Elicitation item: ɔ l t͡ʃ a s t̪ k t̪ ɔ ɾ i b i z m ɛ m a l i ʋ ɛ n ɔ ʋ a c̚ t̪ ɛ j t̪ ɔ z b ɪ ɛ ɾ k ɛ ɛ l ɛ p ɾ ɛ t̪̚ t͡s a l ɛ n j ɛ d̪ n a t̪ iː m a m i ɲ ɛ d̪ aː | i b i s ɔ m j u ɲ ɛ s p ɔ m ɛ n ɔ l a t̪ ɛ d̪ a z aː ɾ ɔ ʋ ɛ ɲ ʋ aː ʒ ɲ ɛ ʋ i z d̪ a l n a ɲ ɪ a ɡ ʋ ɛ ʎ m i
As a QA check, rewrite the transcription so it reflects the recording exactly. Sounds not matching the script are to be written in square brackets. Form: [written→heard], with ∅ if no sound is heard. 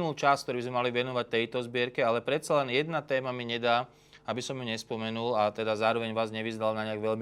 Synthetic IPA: [ɔ→u] l t͡ʃ a s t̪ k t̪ ɔ ɾ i b i z m ɛ m a l i ʋ ɛ n ɔ ʋ a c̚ t̪ ɛ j t̪ ɔ z b ɪ ɛ ɾ k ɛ [ɛ→a] l ɛ p ɾ ɛ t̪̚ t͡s a l ɛ n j ɛ d̪ n a t̪ [iː→ɛː] m a m i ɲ ɛ d̪ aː | [i→a] b i s ɔ m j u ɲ ɛ s p ɔ m ɛ n [ɔ→u] l a t̪ ɛ d̪ a z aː ɾ ɔ ʋ ɛ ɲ ʋ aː [ʒ→z] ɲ ɛ ʋ i z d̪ a l n a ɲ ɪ a ɡ ʋ ɛ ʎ m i